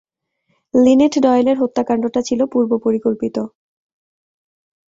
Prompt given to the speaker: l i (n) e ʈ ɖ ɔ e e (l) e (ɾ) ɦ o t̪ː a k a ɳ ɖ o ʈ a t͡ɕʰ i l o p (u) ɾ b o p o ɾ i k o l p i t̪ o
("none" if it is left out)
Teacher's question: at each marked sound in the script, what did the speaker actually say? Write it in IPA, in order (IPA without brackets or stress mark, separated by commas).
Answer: n, l, ɾ, u